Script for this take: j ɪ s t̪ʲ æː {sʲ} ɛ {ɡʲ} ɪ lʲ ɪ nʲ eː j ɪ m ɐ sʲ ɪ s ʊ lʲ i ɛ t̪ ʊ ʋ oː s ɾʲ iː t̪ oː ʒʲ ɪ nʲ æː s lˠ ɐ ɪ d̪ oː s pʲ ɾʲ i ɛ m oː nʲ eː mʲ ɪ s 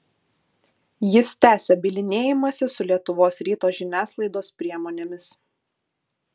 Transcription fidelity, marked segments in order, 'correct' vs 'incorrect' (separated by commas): correct, incorrect